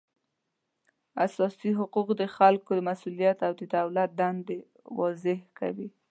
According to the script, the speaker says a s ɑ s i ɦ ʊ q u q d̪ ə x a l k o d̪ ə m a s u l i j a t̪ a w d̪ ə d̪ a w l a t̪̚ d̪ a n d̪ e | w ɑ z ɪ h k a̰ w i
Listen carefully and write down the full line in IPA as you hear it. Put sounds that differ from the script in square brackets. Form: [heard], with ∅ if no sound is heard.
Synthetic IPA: a s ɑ s i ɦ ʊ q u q d̪ ə x a l k o d̪ ə m a s u l i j a t̪ a w d̪ ə d̪ a w l a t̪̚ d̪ a n d̪ e | w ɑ z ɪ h k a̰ w i